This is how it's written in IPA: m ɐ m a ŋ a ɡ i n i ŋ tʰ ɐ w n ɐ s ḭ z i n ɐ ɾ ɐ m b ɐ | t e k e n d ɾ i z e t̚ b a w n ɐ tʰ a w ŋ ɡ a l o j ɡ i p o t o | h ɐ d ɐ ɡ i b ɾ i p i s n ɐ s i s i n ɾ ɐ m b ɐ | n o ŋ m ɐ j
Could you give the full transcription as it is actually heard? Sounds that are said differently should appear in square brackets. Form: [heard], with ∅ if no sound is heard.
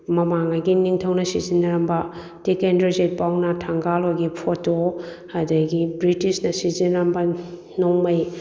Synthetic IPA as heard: m ɐ m a ŋ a ɡ i n i ŋ tʰ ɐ w n ɐ s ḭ z i n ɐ ɾ ɐ m b ɐ | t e k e n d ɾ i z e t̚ [p] a w n ɐ tʰ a [∅] ŋ ɡ a l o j ɡ i [pʰ] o t o | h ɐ d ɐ ɡ i b ɾ i [t] i s n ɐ s i [z] i n ɾ ɐ m b ɐ | n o ŋ m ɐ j